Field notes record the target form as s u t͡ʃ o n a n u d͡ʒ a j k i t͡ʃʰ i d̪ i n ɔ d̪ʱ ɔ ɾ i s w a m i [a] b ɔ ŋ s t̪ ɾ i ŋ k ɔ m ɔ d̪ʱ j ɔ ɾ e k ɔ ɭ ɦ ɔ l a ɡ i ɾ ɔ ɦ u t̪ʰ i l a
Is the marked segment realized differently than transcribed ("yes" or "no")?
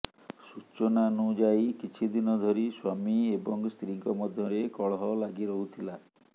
yes